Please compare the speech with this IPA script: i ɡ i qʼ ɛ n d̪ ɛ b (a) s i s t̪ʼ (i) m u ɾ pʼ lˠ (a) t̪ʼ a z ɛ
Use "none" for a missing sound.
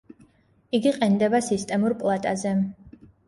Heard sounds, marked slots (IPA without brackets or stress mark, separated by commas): a, ɛ, a